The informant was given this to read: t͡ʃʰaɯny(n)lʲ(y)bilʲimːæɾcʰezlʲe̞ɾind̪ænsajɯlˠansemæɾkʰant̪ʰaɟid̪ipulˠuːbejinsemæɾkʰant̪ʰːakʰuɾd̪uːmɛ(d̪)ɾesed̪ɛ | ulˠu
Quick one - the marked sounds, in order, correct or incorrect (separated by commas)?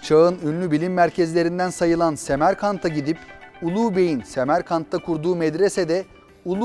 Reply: correct, correct, correct